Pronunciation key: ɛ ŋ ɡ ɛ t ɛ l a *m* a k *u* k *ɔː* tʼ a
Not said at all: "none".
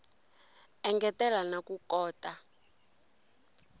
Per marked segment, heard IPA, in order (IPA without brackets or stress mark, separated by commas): n, u, ɔː